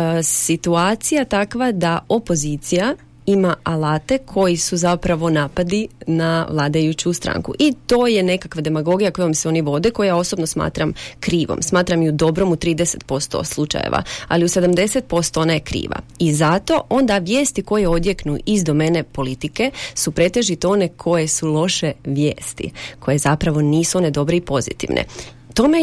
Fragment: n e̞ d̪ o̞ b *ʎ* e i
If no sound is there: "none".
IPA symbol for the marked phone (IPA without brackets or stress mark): ɾ